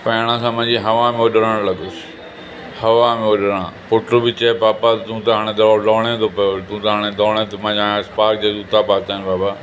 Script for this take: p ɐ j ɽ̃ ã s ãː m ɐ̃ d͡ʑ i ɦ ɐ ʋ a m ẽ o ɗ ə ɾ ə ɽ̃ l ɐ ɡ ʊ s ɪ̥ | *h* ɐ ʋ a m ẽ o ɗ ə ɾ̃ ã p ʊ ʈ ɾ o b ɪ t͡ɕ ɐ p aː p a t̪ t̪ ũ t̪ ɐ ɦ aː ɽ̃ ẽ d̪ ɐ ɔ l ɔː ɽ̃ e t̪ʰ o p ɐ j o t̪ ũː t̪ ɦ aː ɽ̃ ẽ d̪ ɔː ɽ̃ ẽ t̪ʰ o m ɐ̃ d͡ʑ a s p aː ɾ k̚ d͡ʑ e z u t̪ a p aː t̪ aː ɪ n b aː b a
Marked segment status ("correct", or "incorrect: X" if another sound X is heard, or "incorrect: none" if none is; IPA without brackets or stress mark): correct